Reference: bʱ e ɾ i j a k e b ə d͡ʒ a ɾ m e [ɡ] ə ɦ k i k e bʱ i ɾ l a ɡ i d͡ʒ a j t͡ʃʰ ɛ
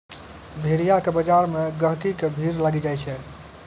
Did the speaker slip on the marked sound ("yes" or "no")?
no